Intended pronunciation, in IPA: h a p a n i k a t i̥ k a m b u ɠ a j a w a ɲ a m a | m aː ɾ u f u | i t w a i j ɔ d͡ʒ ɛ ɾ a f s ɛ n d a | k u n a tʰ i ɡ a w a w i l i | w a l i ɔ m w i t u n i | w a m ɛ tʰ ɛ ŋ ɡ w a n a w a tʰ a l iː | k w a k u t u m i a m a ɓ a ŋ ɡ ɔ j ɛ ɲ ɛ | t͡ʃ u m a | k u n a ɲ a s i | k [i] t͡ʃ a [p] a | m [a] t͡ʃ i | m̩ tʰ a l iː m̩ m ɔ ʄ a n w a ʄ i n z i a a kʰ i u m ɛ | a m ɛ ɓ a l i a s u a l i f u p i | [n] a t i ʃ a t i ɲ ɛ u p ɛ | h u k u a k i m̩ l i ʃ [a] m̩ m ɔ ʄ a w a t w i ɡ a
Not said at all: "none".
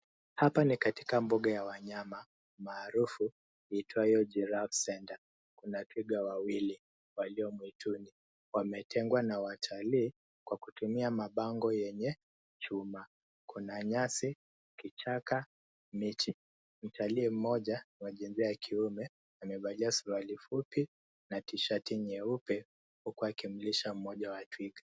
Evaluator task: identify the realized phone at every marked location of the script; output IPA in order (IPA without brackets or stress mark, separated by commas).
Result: i, k, i, n, a